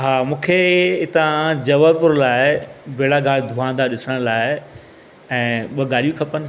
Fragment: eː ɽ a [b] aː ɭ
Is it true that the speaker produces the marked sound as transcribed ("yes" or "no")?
no